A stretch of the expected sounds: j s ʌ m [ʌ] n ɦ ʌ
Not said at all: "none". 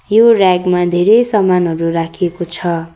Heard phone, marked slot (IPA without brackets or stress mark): a